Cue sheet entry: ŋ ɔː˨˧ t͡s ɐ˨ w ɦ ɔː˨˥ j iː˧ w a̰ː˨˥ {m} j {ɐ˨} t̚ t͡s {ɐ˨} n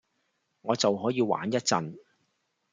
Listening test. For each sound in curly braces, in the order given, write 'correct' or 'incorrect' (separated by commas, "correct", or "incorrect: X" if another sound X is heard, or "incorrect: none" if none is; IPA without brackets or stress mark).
incorrect: n, incorrect: ɐ˥, correct